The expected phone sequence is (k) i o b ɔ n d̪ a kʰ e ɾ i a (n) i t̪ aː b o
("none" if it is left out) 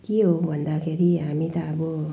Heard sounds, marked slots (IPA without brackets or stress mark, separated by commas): k, m